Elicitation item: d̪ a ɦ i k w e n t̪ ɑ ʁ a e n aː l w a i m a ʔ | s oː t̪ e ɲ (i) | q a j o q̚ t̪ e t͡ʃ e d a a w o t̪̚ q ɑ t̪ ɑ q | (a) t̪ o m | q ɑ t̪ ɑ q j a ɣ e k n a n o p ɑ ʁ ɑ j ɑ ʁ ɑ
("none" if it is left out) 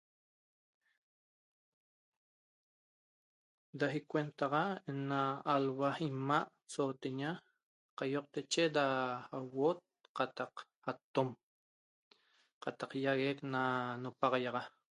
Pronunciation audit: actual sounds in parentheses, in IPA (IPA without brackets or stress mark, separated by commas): a, a